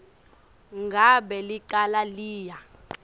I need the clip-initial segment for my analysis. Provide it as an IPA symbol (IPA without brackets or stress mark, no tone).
ŋ